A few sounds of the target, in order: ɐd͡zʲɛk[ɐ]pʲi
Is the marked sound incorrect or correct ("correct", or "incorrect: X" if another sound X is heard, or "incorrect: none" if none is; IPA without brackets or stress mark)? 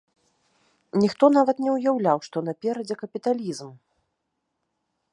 correct